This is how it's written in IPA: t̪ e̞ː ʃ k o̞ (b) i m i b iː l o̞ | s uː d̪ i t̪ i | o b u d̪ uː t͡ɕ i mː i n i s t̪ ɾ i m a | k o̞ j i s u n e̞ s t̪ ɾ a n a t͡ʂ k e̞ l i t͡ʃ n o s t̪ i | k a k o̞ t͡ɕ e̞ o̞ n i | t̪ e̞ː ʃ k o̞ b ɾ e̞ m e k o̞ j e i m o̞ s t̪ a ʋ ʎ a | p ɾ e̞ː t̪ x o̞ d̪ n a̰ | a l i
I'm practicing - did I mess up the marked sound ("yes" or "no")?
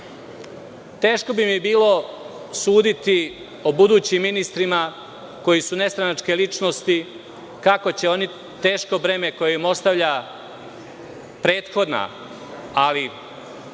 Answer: no